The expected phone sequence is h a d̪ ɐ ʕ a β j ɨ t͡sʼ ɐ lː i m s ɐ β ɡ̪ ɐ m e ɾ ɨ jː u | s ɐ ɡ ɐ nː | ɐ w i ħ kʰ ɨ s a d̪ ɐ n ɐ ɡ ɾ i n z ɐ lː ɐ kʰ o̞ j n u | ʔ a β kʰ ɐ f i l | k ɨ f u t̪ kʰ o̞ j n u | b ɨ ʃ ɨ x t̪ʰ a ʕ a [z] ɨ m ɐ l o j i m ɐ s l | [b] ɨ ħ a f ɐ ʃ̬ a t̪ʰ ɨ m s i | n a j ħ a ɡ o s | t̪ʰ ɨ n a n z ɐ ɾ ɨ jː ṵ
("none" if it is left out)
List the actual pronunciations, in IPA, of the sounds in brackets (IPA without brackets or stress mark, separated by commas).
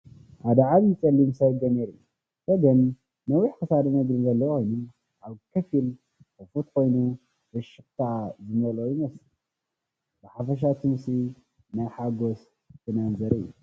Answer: z, b